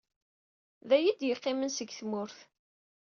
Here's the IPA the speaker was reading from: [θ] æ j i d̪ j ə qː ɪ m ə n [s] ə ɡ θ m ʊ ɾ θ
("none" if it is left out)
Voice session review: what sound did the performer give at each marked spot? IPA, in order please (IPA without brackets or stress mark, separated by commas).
ð, s